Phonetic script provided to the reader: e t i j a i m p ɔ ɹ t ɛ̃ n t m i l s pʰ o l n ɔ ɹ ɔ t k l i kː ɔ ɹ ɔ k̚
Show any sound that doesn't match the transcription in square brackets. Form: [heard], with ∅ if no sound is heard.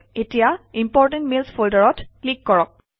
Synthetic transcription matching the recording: e t i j a i m p ɔ ɹ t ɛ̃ n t m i l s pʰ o l [d] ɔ ɹ ɔ t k l i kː ɔ ɹ ɔ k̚